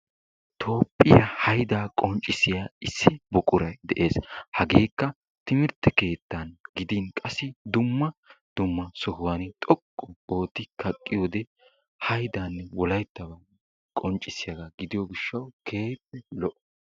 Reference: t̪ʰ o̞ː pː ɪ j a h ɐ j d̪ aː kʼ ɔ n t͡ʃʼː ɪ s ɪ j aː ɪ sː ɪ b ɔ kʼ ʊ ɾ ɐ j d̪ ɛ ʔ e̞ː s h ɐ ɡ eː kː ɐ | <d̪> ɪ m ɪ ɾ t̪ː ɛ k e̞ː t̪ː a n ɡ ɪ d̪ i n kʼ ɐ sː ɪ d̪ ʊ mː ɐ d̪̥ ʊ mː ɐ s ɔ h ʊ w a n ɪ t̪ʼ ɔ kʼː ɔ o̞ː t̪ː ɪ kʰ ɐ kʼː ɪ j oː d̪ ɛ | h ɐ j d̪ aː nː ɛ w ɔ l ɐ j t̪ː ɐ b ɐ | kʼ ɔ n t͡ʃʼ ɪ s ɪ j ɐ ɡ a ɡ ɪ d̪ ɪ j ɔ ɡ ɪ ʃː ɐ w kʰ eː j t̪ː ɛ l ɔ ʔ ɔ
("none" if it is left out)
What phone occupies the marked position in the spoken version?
t̪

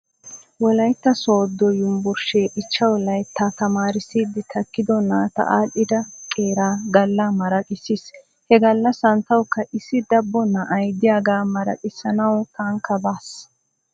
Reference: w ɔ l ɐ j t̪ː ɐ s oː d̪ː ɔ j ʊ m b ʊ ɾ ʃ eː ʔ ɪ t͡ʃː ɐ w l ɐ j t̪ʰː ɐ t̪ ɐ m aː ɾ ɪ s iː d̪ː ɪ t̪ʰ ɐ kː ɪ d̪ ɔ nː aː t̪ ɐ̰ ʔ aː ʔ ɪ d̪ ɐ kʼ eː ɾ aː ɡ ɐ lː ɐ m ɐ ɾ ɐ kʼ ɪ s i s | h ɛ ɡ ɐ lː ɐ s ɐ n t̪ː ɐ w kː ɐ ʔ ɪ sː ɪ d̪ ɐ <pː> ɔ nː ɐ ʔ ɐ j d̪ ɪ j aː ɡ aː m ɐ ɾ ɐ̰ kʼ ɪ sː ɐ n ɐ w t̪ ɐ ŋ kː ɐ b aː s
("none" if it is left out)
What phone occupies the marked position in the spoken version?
bː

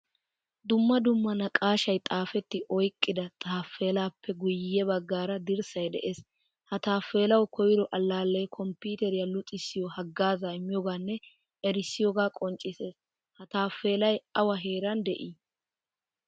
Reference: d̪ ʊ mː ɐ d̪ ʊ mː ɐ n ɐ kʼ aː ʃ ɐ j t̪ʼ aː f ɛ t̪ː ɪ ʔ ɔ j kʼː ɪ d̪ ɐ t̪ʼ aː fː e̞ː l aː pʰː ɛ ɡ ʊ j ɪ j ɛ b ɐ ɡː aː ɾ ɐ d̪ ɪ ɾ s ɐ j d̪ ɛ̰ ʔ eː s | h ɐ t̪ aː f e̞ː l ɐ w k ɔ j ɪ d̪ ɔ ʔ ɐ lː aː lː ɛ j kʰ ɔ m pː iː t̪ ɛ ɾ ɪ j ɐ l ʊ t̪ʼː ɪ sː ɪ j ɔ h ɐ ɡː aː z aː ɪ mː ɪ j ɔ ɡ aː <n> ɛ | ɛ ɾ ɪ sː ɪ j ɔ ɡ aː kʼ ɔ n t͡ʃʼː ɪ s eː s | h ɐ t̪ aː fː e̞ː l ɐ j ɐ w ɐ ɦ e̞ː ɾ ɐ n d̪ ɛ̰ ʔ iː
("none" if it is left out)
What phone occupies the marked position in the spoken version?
nː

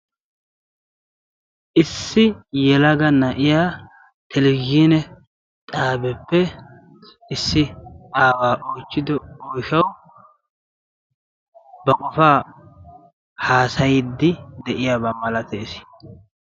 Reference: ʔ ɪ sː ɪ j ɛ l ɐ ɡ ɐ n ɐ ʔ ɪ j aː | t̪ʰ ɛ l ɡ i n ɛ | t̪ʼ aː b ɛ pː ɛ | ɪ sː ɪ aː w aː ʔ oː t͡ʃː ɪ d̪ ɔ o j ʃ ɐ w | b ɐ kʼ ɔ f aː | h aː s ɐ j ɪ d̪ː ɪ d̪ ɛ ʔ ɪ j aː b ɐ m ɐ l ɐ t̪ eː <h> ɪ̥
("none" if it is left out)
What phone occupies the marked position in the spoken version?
s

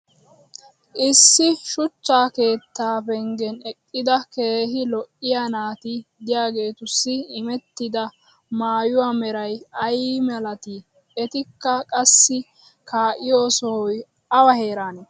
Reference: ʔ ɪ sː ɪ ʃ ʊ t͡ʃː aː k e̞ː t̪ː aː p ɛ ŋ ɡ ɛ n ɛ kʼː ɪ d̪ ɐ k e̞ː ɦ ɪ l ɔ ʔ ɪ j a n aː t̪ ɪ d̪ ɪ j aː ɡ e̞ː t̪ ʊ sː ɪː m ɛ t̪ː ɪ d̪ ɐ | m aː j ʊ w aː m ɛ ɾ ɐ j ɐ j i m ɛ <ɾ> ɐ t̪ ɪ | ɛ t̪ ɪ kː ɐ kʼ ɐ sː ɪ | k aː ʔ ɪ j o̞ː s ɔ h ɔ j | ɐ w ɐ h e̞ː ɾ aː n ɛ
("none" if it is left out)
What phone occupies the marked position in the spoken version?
l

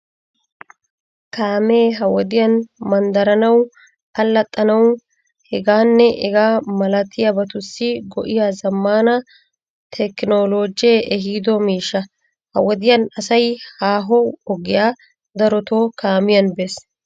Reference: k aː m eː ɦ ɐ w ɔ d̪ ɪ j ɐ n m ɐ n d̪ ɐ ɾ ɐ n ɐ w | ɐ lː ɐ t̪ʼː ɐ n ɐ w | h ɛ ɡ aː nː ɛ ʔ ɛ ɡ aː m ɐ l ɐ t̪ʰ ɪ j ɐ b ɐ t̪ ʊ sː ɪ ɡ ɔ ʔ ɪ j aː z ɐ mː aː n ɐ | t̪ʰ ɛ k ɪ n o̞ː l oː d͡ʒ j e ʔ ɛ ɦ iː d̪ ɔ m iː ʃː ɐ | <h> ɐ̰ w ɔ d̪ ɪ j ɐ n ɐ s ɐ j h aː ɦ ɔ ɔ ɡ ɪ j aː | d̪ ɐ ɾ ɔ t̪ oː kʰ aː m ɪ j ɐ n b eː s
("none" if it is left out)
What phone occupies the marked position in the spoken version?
h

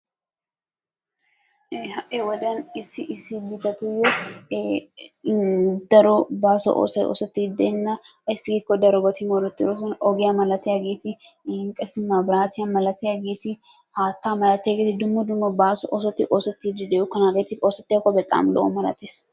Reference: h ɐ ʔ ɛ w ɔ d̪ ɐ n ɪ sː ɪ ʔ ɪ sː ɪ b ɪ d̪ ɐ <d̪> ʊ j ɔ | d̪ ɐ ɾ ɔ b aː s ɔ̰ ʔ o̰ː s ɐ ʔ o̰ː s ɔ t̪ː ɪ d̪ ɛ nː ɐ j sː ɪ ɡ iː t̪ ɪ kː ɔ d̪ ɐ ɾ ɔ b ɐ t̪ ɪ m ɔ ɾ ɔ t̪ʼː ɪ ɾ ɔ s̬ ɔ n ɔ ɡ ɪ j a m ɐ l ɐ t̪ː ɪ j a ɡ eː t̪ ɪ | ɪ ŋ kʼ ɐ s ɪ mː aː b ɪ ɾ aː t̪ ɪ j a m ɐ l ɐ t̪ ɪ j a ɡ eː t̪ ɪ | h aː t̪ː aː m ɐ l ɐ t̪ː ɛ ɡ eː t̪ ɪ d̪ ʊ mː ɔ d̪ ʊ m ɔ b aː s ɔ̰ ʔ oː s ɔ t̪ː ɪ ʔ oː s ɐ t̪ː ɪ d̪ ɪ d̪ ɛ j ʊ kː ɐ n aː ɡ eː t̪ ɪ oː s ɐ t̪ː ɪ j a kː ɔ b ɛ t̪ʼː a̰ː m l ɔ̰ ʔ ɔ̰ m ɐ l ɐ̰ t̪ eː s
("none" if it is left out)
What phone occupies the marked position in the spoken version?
t̪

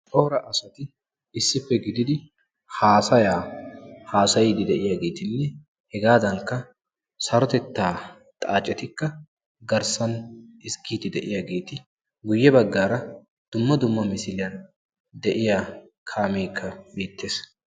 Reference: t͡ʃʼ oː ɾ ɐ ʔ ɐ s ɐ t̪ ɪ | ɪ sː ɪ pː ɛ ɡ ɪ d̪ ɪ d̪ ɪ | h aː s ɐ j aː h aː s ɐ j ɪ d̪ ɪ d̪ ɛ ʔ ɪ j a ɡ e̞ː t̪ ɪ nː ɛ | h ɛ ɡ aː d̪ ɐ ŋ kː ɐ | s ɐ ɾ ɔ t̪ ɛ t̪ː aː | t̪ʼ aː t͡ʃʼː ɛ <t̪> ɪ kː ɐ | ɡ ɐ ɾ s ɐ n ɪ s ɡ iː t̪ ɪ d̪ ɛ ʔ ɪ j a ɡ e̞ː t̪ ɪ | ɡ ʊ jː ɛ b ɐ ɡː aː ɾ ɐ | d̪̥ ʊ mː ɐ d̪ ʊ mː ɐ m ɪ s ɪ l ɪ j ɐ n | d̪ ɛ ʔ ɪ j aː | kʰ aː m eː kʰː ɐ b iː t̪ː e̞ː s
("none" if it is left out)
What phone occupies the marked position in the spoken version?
t̪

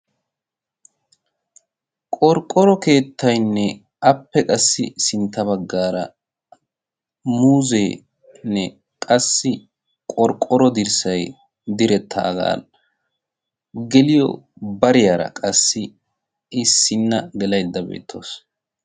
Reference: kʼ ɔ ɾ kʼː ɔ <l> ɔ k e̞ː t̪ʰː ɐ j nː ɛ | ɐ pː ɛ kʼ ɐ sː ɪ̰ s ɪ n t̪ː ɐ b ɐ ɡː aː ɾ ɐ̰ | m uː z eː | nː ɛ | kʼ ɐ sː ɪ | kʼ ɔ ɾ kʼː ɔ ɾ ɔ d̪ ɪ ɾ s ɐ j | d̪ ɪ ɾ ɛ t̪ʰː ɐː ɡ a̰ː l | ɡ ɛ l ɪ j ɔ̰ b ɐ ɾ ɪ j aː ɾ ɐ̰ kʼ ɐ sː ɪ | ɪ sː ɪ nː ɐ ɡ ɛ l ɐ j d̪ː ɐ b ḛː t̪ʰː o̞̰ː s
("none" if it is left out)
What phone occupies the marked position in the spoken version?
ɾ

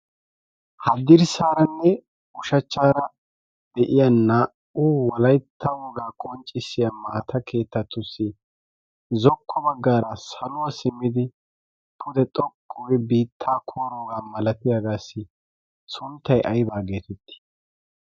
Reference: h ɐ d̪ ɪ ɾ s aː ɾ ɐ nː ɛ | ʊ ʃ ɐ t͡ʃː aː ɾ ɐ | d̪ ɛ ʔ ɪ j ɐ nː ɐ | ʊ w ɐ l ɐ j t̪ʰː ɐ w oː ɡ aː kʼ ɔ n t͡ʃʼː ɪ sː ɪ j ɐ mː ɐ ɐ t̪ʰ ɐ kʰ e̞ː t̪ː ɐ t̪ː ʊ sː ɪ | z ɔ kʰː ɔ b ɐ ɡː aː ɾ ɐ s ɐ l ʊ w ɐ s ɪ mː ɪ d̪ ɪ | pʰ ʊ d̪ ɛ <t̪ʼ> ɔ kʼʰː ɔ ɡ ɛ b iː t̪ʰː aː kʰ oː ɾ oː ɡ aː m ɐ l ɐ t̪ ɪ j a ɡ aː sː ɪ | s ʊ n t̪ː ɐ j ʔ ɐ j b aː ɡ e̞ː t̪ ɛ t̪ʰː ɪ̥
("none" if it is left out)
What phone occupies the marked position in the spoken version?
t̪ʼ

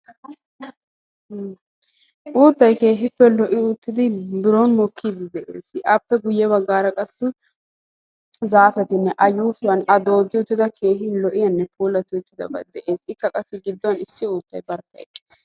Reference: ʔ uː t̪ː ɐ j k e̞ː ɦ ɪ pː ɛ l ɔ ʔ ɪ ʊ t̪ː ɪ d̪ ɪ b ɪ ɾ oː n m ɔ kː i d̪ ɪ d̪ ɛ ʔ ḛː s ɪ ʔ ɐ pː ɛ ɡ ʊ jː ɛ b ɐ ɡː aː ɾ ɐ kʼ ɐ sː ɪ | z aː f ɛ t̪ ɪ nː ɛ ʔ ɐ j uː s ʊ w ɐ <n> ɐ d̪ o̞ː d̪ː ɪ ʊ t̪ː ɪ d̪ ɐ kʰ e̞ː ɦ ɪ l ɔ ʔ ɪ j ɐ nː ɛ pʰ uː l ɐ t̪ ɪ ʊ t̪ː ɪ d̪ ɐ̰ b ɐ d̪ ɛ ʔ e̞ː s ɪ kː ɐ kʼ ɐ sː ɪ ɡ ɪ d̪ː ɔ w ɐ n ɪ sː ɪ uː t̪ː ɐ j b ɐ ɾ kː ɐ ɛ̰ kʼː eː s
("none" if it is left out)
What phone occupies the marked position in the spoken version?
n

